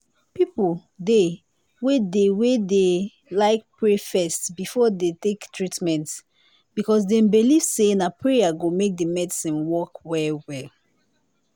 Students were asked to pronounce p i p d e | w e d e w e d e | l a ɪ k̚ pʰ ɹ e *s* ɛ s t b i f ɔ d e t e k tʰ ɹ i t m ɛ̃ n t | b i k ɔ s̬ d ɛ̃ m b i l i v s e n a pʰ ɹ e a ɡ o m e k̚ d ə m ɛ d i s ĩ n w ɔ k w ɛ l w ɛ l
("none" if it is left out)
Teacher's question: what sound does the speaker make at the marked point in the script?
f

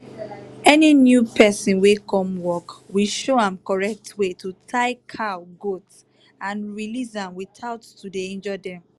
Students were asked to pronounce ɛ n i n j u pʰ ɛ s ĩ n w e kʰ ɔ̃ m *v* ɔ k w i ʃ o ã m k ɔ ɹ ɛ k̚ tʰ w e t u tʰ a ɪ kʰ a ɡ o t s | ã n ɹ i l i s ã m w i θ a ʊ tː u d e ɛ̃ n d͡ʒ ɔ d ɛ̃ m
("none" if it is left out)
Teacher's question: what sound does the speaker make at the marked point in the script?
w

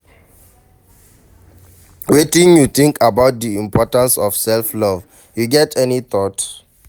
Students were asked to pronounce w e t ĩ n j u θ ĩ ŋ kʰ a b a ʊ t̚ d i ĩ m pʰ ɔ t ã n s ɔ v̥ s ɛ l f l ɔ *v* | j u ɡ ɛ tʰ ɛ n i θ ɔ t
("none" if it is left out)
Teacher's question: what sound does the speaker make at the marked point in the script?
v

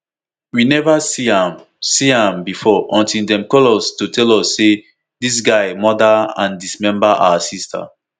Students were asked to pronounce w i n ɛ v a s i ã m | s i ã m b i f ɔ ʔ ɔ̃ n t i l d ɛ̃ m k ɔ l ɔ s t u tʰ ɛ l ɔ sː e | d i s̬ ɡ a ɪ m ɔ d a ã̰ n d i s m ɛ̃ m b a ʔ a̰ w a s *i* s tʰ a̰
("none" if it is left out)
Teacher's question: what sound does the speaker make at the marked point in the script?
i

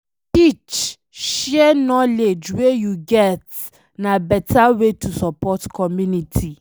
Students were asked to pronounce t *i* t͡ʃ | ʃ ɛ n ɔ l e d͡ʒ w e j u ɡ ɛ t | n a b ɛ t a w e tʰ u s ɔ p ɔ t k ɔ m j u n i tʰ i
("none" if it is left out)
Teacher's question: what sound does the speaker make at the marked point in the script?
i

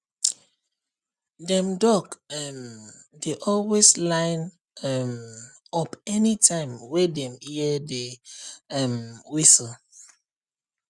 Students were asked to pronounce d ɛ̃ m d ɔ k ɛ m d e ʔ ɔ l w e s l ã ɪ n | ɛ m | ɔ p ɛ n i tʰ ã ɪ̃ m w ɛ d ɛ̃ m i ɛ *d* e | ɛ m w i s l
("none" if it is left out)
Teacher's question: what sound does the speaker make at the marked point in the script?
d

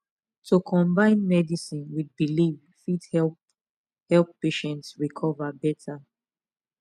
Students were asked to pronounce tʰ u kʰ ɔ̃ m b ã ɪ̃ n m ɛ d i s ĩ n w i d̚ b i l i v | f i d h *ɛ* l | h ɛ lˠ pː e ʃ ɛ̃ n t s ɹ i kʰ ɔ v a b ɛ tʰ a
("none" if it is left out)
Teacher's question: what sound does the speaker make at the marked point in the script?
ɛ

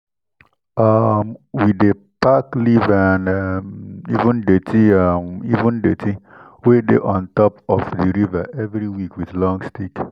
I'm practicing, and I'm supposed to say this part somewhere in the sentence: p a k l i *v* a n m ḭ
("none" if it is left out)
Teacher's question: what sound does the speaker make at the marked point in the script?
v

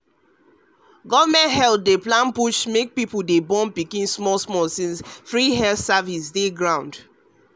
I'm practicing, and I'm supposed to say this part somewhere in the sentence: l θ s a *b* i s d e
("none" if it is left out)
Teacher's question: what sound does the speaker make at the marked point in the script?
v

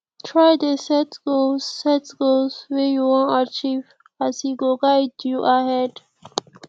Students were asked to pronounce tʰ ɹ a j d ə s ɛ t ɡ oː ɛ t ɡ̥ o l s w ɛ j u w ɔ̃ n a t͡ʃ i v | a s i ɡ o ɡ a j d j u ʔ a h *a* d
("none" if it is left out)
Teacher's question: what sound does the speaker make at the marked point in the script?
ɛ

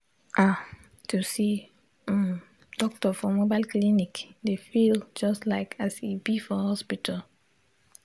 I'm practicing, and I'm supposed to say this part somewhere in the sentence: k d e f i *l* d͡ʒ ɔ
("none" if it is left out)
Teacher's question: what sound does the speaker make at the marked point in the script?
l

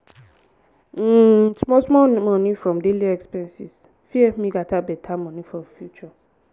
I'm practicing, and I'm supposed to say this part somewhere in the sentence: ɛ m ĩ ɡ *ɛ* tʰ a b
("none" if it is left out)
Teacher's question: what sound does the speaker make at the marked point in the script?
a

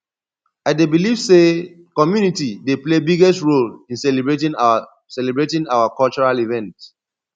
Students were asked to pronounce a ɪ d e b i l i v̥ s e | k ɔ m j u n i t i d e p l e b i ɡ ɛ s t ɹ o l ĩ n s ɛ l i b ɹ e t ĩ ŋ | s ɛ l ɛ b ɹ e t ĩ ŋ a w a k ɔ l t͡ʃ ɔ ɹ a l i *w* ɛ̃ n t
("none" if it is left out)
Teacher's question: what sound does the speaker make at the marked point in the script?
v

